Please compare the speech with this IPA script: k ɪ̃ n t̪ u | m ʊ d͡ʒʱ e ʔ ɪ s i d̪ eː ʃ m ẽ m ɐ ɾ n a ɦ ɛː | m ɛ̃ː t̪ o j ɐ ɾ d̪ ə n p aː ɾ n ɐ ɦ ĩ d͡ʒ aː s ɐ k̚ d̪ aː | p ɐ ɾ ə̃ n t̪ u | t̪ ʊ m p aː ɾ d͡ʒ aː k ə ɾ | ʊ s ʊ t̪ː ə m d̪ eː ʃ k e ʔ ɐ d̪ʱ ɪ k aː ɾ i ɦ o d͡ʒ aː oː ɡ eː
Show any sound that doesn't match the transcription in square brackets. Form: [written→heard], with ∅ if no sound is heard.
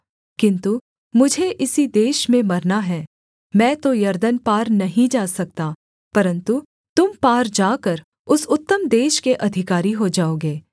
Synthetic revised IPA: k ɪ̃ n t̪ u | m ʊ d͡ʒʱ e ʔ ɪ s i d̪ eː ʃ m ẽ m ɐ ɾ n a ɦ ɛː | m ɛ̃ː t̪ o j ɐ ɾ d̪ ə n p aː ɾ n ɐ ɦ ĩ d͡ʒ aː s ɐ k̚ [d̪→t̪] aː | p ɐ ɾ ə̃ n t̪ u | t̪ ʊ m p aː ɾ d͡ʒ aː k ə ɾ | ʊ s ʊ t̪ː ə m d̪ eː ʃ k e ʔ ɐ d̪ʱ ɪ k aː ɾ i ɦ o d͡ʒ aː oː ɡ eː

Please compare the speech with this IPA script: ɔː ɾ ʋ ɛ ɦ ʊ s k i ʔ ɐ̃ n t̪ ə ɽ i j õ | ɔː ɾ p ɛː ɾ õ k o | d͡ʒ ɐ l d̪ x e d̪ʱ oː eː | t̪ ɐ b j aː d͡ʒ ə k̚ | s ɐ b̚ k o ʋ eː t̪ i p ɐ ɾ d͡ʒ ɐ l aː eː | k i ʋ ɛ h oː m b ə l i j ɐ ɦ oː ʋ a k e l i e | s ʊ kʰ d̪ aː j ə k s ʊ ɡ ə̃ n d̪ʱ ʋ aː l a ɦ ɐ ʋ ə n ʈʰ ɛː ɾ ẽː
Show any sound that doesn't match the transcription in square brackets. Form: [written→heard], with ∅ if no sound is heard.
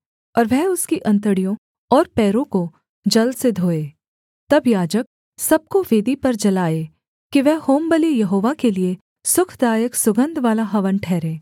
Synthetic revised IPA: ɔː ɾ ʋ ɛ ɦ ʊ s k i ʔ ɐ̃ n t̪ ə ɽ i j õ | ɔː ɾ p ɛː ɾ õ k o | d͡ʒ ɐ l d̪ [x→s] e d̪ʱ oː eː | t̪ ɐ b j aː d͡ʒ ə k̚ | s ɐ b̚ k o ʋ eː [t̪→d̪] i p ɐ ɾ d͡ʒ ɐ l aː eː | k i ʋ ɛ h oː m b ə l i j ɐ ɦ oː ʋ a k e l i e | s ʊ kʰ d̪ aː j ə k s ʊ ɡ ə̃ n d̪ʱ ʋ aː l a ɦ ɐ ʋ ə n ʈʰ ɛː ɾ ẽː

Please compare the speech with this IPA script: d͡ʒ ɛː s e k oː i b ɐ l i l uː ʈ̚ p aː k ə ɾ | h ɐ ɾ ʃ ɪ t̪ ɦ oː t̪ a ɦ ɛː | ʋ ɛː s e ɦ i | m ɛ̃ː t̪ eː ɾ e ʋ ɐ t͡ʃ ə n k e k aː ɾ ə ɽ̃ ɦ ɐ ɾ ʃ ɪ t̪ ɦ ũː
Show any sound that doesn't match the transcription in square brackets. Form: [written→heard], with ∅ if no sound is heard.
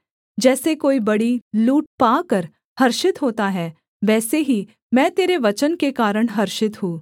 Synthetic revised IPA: d͡ʒ ɛː s e k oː i b ɐ [l→ɽ] i l uː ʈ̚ p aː k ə ɾ | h ɐ ɾ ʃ ɪ t̪ ɦ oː t̪ a ɦ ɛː | ʋ ɛː s e ɦ i | m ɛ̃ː t̪ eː ɾ e ʋ ɐ t͡ʃ ə n k e k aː ɾ ə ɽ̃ ɦ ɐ ɾ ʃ ɪ t̪ ɦ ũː

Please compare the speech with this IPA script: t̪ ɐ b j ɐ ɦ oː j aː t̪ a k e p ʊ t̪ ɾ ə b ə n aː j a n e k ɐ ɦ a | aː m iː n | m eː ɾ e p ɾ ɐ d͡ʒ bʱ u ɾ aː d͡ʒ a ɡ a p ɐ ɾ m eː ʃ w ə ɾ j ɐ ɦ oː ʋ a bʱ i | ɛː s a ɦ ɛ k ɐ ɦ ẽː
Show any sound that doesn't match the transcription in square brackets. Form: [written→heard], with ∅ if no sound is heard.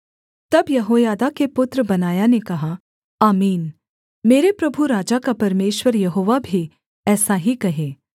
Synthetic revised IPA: t̪ ɐ b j ɐ ɦ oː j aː [t̪→d̪] a k e p ʊ t̪ ɾ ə b [ə→ɐ] n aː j a n e k ɐ ɦ a | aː m iː n | m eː ɾ e p ɾ ɐ [d͡ʒ→∅] bʱ u ɾ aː d͡ʒ a [ɡ→k] a p ɐ ɾ m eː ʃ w ə ɾ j ɐ ɦ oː ʋ a bʱ i | ɛː s a ɦ [ɛ→i] k ɐ ɦ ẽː

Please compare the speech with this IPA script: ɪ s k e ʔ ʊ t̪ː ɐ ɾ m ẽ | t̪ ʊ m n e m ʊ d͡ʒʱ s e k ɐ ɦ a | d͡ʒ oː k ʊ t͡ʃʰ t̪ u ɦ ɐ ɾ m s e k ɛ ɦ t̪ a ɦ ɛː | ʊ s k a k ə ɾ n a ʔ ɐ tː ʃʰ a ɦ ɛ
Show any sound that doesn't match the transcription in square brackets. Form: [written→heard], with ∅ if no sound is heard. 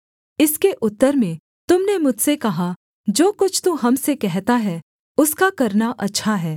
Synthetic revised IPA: ɪ s k e ʔ ʊ t̪ː [ɐ→ə] ɾ m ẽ | t̪ ʊ m n e m ʊ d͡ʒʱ s e k ɐ ɦ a | d͡ʒ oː k ʊ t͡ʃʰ t̪ u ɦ ɐ [ɾ→∅] m s e k ɛ ɦ t̪ a ɦ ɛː | ʊ s k a k [ə→ɐ] ɾ n a ʔ ɐ tː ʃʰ a ɦ [ɛ→ɛː]

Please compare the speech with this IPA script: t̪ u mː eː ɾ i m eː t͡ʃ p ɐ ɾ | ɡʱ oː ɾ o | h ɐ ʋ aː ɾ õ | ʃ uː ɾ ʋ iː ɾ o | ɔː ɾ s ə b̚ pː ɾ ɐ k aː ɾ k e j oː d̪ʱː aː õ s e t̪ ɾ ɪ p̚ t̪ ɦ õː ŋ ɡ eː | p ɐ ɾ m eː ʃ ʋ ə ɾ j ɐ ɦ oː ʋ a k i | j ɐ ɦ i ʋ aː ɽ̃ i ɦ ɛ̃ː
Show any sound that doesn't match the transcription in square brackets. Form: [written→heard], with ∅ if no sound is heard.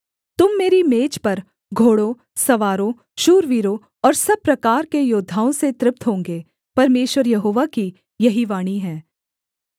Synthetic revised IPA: t̪ [u→ʊ] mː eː ɾ i m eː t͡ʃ p ɐ ɾ | ɡʱ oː [ɾ→ɽ] o | [h→s] ɐ ʋ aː ɾ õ | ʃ uː ɾ ʋ iː ɾ o | ɔː ɾ s [ə→ɐ] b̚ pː ɾ ɐ k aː ɾ k e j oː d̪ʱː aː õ s e t̪ ɾ ɪ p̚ t̪ ɦ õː ŋ ɡ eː | p ɐ ɾ m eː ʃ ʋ ə ɾ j ɐ ɦ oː ʋ a k i | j ɐ ɦ i ʋ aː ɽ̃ i ɦ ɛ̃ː

